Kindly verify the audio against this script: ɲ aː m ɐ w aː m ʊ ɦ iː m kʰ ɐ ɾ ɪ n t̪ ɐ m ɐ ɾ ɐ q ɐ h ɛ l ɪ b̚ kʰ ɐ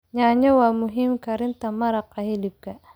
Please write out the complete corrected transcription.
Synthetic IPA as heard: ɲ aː ɲ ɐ w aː m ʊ ɦ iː m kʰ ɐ ɾ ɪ n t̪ ɐ m ɐ ɾ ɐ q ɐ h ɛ l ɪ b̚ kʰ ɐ